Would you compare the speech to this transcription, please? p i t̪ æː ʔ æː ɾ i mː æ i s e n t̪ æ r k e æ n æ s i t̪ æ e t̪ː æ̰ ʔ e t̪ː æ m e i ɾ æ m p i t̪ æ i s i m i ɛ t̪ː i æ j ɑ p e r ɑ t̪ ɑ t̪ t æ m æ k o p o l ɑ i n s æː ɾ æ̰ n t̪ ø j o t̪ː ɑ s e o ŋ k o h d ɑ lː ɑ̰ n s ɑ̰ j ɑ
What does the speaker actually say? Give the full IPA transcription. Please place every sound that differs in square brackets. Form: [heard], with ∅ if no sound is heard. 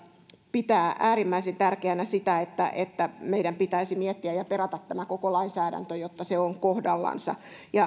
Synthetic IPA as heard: p i t̪ æː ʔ æː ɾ i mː æ i s e n t̪ æ r k e æ n æ s i t̪ æ e t̪ː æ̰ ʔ e t̪ː æ m e i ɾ æ m p i t̪ æ i s i m i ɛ t̪ː i æ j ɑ p e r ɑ t̪ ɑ t̪ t æ m æ k o [k] o l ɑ i n s æː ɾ æ̰ n t̪ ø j o t̪ː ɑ s e o ŋ k o h d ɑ lː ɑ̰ n s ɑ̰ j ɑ